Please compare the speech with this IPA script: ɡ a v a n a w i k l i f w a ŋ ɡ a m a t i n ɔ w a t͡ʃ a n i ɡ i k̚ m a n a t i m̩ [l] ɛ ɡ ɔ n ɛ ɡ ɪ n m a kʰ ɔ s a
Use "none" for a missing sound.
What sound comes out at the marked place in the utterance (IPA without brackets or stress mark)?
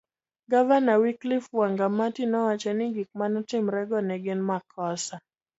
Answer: ɾ